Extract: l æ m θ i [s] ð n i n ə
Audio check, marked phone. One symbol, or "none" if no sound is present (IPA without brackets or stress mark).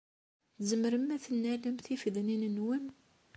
f